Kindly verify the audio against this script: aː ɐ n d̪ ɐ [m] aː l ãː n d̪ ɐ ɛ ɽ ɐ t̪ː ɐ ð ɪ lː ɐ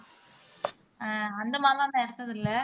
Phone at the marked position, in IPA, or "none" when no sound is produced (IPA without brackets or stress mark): m